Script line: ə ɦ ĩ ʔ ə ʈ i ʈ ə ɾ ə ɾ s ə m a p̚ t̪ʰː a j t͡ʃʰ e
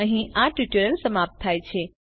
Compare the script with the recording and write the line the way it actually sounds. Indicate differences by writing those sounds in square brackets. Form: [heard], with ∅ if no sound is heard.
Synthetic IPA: ə ɦ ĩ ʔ [a] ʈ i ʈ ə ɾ ə [l] s ə m a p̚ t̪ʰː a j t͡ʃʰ e